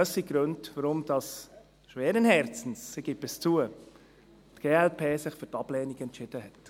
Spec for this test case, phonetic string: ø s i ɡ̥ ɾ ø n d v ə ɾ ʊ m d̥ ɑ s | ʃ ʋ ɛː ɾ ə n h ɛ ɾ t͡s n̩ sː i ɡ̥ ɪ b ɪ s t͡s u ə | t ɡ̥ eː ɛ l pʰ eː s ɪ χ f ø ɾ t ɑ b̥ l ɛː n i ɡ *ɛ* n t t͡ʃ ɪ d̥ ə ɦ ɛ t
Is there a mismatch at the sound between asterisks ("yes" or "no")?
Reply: no